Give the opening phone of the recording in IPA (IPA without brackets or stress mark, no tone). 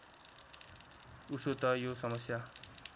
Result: u